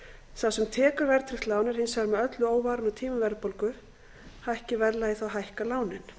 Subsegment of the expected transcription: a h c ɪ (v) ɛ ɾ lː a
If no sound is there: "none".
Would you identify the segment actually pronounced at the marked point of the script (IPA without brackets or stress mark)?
v